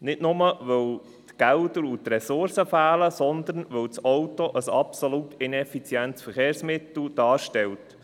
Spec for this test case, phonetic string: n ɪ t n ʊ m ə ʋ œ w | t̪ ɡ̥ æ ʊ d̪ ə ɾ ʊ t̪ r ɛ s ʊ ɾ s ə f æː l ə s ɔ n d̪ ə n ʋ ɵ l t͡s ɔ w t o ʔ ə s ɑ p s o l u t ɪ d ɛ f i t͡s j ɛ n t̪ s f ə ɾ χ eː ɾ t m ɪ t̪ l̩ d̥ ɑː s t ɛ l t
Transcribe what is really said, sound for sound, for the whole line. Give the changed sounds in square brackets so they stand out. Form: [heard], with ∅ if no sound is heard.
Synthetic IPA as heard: n ɪ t n ʊ m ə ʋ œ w | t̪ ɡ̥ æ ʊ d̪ ə ɾ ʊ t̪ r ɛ s ʊ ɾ s ə f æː l ə s ɔ n d̪ ə n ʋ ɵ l t͡s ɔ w t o ʔ ə s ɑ p s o l u t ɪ [n] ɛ f i t͡s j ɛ n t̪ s f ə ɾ χ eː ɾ [s] m ɪ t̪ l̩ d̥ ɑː [ʃ] t ɛ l t